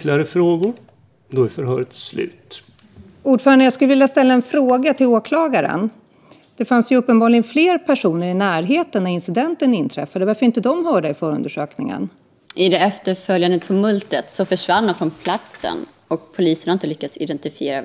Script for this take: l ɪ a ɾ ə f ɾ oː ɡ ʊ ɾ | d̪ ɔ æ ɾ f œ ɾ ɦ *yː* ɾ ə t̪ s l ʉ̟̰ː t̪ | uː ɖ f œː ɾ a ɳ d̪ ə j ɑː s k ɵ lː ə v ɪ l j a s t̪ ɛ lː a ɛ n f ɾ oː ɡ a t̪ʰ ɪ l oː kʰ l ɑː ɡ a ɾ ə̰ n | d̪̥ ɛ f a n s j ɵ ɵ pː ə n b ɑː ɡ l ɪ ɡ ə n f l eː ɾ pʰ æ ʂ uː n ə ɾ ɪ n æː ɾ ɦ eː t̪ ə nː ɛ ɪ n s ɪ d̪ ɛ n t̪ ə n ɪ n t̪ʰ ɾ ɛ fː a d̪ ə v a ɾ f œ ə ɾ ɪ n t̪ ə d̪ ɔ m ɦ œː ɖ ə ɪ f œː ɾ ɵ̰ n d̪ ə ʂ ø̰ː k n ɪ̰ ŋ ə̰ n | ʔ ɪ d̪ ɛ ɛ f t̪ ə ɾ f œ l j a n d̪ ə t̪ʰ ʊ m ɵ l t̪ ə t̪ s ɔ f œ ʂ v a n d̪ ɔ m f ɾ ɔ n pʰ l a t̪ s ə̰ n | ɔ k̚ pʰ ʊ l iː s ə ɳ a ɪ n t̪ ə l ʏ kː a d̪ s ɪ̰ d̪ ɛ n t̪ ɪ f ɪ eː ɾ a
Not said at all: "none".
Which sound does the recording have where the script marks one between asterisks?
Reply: œː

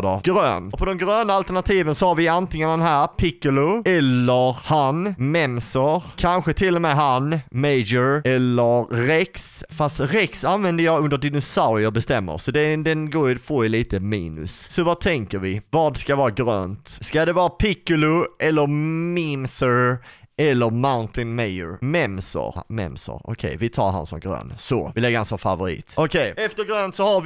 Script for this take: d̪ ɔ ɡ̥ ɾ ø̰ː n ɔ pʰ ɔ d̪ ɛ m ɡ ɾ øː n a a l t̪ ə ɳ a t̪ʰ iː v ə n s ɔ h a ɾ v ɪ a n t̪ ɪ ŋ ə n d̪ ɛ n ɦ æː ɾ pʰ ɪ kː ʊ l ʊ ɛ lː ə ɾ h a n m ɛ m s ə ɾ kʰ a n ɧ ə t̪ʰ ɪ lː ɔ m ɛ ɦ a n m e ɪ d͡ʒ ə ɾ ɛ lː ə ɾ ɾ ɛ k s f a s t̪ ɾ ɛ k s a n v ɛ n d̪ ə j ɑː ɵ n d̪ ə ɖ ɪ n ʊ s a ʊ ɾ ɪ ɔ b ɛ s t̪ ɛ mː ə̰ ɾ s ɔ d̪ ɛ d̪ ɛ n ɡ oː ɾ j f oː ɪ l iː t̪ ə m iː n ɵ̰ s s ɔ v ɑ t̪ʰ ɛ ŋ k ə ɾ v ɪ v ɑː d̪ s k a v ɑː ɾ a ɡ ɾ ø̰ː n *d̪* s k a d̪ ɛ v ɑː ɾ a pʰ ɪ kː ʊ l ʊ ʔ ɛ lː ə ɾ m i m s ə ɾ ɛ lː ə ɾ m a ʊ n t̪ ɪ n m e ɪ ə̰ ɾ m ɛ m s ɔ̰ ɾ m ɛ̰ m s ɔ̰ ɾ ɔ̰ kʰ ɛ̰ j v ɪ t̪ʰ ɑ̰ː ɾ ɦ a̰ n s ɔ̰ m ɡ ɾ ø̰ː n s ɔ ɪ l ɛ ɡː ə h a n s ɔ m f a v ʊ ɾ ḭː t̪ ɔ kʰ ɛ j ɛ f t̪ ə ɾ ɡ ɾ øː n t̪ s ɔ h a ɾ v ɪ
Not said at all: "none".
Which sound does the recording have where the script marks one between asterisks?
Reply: t̪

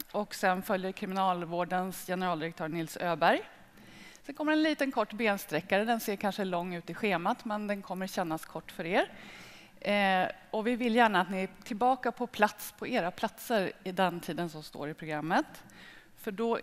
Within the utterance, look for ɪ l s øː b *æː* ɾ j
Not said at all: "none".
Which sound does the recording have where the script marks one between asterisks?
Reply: æ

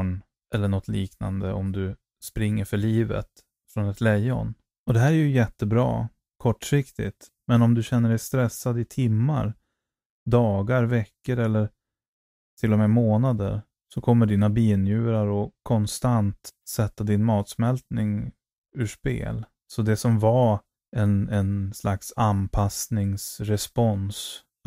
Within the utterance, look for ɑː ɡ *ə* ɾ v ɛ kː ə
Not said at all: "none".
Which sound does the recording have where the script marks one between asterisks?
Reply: a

